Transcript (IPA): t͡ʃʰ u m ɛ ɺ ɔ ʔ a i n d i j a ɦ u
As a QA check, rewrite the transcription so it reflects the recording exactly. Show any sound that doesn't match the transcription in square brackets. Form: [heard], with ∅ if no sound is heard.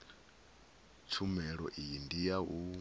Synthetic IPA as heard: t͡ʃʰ u m ɛ ɺ ɔ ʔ [i] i n d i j a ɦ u